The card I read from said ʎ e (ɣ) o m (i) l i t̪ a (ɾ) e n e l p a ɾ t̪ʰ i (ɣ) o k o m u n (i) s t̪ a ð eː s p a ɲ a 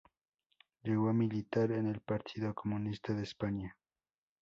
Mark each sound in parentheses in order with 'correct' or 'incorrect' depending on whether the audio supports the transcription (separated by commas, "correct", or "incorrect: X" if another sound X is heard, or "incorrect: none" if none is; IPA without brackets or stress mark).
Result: correct, correct, correct, incorrect: ð, correct